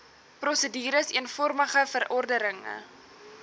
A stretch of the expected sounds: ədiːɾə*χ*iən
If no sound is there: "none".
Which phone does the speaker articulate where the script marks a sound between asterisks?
s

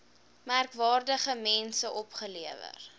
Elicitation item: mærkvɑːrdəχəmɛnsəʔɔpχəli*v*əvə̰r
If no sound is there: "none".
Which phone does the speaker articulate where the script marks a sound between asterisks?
none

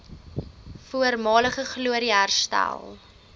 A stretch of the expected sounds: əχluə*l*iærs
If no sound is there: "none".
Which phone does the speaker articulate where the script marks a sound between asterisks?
ɾ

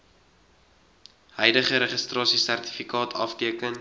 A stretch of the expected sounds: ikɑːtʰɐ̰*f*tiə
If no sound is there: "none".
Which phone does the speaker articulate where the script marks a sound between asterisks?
f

